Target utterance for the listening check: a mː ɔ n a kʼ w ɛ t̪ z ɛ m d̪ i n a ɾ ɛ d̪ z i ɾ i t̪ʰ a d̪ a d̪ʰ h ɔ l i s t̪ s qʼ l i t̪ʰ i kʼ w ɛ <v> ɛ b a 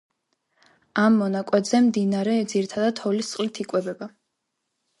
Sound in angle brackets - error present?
yes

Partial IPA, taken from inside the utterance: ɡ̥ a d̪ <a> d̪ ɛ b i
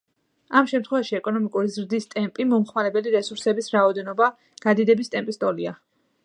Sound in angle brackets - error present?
yes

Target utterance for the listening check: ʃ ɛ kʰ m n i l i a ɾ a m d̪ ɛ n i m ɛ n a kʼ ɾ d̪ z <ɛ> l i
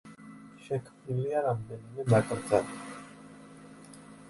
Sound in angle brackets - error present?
yes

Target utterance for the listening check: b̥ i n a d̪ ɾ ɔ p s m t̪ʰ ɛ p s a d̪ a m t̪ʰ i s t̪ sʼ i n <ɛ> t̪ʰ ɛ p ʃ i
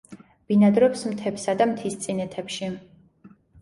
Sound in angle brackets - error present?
no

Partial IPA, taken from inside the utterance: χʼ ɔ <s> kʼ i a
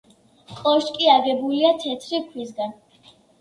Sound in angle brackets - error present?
yes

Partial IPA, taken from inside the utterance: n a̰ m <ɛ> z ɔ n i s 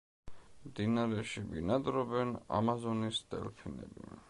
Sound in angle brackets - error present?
yes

